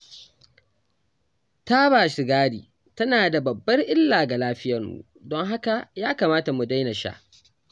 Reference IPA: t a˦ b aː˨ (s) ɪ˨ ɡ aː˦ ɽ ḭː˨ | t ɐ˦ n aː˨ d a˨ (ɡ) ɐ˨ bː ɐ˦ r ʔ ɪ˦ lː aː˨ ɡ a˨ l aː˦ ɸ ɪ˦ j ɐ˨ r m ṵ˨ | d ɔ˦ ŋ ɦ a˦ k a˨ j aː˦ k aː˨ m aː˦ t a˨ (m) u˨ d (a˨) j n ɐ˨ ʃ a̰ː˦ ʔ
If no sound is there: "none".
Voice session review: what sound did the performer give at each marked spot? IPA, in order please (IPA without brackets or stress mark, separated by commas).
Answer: ʃ, b, m, a˦